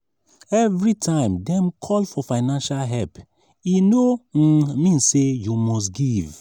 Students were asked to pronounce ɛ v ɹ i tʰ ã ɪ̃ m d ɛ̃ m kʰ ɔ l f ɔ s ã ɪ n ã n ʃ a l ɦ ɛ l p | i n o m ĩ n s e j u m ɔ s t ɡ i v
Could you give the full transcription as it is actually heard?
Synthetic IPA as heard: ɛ v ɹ i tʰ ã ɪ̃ m d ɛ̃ m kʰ ɔ l f ɔ f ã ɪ n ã n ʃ a l ɦ ɛ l p | i n o m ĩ n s e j u m ɔ s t ɡ i v